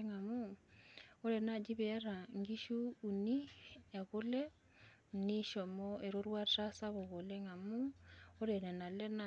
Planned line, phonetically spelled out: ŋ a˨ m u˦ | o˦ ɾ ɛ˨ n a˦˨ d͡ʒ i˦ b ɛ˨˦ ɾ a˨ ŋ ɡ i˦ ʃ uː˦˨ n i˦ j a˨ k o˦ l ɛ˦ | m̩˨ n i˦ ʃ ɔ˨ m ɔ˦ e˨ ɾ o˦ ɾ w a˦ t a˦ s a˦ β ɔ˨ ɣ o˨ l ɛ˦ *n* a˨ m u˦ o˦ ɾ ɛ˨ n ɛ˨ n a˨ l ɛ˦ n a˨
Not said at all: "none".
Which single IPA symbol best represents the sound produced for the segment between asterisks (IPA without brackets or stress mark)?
ŋ